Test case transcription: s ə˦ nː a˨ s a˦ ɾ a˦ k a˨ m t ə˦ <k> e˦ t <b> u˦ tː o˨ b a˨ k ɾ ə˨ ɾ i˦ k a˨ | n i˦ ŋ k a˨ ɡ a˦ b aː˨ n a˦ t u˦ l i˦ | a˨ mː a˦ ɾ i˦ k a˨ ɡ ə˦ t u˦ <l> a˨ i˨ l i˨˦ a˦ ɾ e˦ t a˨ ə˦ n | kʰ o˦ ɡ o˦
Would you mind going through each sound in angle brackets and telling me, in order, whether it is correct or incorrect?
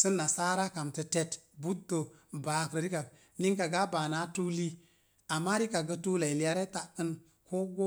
incorrect: t, correct, correct

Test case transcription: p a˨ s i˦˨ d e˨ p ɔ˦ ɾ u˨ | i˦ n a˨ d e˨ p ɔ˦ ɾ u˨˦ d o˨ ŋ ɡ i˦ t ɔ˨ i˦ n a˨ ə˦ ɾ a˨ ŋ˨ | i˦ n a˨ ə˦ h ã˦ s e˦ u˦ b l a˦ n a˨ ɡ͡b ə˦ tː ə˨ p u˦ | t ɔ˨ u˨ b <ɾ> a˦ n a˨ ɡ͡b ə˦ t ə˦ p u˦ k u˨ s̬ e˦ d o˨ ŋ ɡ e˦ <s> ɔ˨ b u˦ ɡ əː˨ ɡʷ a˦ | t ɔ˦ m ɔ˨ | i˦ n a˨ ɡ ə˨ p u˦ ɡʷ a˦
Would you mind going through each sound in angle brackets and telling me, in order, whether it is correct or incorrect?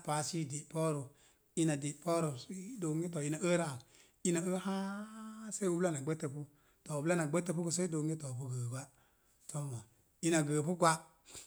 incorrect: l, incorrect: t

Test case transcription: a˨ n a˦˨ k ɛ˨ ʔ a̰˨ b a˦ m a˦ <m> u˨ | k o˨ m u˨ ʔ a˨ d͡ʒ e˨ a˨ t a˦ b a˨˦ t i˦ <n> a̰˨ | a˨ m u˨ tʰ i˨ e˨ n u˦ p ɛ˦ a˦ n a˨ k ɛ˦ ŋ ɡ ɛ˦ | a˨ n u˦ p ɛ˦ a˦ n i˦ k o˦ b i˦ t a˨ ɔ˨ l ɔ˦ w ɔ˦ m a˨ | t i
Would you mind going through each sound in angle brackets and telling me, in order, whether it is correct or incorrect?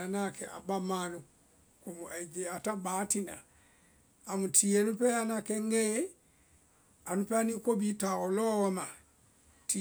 incorrect: n, correct

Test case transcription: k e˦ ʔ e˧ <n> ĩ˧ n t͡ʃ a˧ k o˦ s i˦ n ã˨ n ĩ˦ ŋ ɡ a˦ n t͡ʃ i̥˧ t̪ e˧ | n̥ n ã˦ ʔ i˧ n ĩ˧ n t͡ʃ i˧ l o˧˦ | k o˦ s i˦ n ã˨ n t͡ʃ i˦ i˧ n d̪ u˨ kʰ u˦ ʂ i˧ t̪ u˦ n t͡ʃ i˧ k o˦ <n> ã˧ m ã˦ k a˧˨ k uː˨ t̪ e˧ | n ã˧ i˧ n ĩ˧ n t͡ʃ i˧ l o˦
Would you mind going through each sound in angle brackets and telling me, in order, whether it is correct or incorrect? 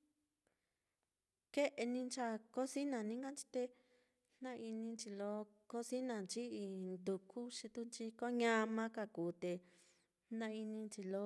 correct, incorrect: ɲ

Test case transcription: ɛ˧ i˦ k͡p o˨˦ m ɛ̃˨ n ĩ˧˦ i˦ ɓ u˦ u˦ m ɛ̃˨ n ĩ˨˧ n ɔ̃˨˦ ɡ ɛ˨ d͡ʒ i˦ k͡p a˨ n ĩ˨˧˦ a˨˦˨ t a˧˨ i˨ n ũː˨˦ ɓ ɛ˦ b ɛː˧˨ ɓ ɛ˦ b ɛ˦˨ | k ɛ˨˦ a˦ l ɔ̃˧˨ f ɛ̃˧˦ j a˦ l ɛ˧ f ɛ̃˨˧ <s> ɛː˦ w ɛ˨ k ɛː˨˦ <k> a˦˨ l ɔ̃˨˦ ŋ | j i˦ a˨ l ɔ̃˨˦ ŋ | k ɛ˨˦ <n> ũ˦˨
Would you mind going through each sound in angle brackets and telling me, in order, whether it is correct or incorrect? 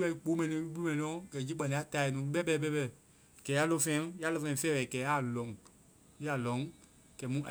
incorrect: f, incorrect: none, incorrect: m

